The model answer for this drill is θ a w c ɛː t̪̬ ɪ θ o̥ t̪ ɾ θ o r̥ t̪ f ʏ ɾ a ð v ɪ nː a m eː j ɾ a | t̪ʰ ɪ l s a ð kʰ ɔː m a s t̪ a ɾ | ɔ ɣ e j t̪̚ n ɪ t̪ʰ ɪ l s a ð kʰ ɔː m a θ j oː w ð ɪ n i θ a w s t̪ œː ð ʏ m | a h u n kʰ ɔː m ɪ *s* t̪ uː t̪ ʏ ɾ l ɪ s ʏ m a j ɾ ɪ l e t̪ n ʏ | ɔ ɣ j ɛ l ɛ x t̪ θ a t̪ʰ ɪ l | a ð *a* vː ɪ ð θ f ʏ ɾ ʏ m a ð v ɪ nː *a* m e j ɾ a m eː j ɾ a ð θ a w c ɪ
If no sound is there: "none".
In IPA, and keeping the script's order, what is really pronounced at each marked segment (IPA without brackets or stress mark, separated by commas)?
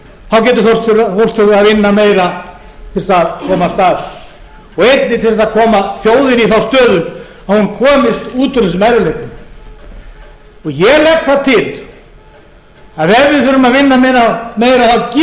s, ɛ, a